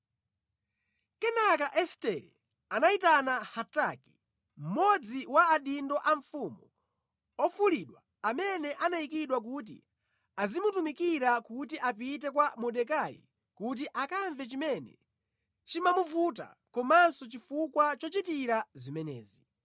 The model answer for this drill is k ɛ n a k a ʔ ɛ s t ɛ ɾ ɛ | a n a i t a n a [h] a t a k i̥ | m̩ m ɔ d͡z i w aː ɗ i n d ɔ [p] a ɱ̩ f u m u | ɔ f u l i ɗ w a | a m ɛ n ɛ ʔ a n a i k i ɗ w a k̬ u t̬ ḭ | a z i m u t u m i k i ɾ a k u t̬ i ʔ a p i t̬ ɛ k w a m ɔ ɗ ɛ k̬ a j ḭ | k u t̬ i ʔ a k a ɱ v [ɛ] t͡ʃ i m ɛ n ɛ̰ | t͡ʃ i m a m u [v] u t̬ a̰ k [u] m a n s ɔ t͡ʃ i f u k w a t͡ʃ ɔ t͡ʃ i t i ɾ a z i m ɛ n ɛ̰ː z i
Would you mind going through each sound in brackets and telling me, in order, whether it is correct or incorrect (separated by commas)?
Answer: correct, incorrect, correct, correct, incorrect